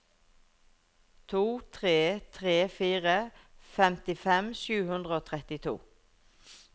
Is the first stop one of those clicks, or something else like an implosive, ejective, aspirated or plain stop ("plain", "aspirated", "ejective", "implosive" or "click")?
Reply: aspirated